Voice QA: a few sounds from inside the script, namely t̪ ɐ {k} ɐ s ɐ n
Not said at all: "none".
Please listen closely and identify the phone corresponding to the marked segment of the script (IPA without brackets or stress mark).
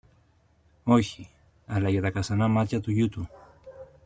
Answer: k